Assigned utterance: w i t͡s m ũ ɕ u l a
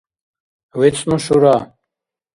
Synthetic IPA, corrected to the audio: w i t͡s n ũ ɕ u ɾ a